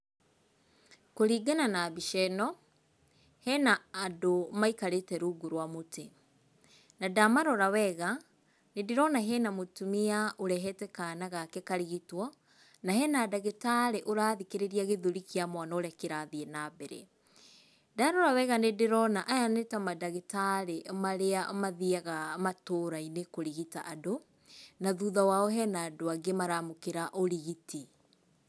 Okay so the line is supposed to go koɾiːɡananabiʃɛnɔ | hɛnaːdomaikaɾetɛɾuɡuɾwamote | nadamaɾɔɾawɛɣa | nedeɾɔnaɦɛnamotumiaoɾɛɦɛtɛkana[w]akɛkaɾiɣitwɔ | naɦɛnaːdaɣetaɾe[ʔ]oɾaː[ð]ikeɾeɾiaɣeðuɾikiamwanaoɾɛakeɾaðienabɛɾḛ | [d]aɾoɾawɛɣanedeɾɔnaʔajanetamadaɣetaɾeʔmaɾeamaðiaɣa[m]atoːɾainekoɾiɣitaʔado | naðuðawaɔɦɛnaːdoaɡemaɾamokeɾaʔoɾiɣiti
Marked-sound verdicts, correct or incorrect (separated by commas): incorrect, correct, correct, correct, correct